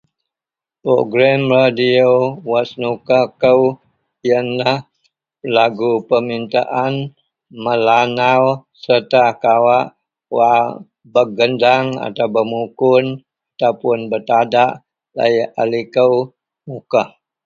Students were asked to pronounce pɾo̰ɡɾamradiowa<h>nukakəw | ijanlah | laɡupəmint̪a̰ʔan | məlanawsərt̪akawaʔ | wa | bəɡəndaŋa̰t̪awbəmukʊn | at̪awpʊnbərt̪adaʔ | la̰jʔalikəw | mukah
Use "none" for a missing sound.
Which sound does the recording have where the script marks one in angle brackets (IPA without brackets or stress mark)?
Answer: s